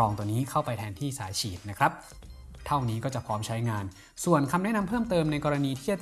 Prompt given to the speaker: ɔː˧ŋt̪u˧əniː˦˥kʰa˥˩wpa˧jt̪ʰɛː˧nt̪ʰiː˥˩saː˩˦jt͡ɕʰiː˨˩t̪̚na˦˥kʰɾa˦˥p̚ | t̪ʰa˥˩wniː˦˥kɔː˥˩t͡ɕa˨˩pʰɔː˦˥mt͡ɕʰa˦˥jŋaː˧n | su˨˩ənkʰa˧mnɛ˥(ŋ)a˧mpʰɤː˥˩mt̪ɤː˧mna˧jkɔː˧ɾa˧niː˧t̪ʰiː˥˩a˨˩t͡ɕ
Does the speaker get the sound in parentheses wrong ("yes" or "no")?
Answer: yes